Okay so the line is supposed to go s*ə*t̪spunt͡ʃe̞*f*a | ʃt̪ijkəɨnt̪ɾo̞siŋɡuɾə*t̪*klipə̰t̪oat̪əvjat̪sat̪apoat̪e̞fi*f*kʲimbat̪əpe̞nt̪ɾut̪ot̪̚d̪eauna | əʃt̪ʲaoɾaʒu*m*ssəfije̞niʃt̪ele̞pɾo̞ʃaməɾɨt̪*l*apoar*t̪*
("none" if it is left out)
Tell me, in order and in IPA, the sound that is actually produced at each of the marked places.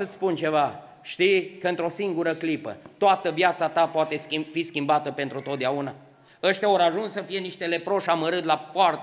ə, v, none, s, n, l, t̪

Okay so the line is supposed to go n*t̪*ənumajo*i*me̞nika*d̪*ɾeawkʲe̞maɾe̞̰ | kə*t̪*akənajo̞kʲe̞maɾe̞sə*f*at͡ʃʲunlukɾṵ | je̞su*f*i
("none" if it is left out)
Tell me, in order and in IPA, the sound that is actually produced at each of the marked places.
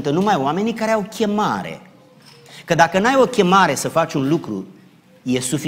t̪, a, none, d̪, f, f

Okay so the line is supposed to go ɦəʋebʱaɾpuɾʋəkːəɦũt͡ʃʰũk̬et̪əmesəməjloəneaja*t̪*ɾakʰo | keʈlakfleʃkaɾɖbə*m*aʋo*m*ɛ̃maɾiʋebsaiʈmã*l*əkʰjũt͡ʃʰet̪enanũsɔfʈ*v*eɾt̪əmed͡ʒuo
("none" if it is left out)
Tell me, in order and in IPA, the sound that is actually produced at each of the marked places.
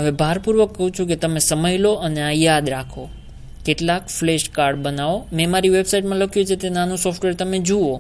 d̪, n, m, l, ʋ

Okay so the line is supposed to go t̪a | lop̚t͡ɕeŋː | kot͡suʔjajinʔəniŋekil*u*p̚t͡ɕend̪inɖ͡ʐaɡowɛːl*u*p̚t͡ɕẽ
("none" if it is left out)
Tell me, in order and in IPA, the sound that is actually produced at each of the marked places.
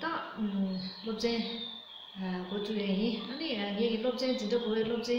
o, o

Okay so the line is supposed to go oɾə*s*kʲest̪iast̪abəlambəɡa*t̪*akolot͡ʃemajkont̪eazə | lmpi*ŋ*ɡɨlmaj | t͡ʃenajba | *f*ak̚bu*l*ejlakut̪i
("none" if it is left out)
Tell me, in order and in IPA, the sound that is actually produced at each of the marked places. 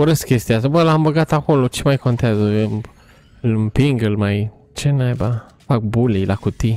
s, t̪, ŋ, f, l

